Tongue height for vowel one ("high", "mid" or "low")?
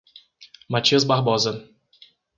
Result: low